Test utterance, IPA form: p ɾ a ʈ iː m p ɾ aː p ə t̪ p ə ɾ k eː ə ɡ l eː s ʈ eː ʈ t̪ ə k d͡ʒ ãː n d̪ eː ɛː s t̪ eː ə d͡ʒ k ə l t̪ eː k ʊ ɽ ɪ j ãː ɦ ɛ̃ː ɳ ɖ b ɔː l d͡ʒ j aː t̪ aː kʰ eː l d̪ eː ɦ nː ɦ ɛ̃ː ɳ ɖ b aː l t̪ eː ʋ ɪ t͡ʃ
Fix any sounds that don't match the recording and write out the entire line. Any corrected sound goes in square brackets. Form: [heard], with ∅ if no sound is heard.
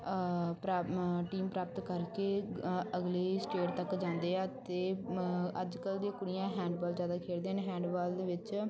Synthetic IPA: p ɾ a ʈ iː m p ɾ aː p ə t̪ [k] ə ɾ k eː ə ɡ l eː s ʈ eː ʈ t̪ ə k d͡ʒ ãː n d̪ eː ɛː [∅] t̪ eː ə d͡ʒ k ə l [d̪] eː k ʊ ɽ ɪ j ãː ɦ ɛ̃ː ɳ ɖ b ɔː l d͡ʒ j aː [d̪] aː kʰ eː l d̪ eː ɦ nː ɦ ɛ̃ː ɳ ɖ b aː l [d̪] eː ʋ ɪ t͡ʃ